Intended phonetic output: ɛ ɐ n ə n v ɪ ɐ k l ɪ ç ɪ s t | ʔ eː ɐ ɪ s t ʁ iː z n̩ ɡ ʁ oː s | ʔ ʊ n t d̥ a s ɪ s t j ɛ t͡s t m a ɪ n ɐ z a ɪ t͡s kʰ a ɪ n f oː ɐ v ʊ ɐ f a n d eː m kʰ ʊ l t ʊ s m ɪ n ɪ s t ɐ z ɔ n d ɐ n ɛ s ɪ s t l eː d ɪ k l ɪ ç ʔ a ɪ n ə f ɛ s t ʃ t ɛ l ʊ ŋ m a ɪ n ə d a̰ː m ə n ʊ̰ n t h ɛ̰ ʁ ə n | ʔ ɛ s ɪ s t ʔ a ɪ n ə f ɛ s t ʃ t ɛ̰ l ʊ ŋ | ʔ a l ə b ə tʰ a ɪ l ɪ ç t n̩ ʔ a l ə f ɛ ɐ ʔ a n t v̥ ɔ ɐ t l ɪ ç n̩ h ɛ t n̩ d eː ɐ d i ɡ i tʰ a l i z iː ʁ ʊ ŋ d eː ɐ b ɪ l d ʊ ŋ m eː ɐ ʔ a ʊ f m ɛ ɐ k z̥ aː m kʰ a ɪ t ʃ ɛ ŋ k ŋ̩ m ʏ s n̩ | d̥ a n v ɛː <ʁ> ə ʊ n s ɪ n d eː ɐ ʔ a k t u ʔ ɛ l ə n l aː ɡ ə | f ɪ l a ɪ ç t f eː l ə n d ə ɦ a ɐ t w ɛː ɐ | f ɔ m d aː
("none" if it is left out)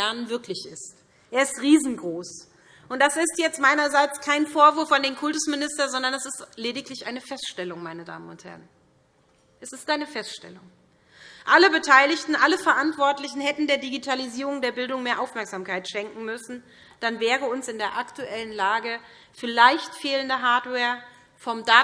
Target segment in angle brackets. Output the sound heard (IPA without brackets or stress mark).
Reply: ʁ